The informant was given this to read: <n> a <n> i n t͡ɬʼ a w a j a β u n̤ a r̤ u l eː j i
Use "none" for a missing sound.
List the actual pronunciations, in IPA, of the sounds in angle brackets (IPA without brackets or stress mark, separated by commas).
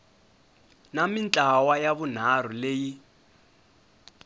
n, m